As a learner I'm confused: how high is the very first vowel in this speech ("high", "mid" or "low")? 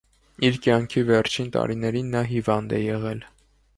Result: high